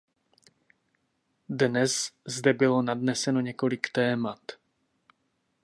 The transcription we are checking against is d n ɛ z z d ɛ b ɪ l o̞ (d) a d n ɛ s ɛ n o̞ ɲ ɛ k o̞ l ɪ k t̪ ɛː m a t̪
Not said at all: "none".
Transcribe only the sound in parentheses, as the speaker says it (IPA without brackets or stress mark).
n